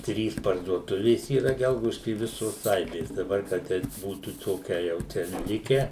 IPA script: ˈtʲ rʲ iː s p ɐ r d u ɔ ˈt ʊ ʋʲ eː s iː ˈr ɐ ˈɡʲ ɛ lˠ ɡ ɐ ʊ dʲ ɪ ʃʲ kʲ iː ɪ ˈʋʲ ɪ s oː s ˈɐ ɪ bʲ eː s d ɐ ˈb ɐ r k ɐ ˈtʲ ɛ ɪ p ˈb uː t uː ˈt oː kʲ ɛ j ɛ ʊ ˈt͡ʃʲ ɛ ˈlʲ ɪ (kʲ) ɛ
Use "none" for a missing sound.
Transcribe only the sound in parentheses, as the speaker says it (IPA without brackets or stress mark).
kʲ